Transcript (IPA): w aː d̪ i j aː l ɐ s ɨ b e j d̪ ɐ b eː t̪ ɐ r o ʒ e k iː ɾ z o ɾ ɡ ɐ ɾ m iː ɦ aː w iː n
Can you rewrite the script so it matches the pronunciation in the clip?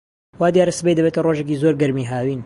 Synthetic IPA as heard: w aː d̪ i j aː ɾ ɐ s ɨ b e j d̪ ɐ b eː t̪ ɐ r o ʒ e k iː z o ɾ ɡ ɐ ɾ m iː ɦ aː w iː n